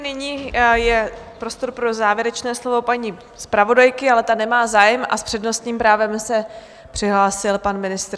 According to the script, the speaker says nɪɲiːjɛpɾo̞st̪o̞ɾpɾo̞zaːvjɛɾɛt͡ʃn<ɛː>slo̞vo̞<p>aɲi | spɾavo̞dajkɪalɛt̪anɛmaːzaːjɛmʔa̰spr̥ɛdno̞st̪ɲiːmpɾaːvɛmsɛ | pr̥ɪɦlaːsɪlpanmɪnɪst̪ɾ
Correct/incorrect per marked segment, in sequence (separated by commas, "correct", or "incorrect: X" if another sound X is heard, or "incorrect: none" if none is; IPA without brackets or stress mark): correct, correct